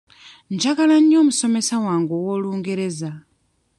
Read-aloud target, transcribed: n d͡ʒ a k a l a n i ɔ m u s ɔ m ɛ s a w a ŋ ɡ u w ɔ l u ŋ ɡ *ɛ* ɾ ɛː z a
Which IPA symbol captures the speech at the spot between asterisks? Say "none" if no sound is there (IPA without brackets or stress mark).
ɛ